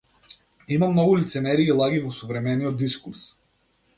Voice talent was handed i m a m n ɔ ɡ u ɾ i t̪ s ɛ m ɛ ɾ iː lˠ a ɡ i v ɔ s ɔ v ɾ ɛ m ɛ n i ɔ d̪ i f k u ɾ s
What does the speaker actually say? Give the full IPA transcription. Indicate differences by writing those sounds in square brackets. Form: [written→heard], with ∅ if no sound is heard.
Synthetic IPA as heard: i m a m n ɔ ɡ u [ɾ→l] i t̪ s ɛ m ɛ ɾ iː lˠ a ɡ i v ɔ s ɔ v ɾ ɛ m ɛ n i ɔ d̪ i [f→s] k u ɾ s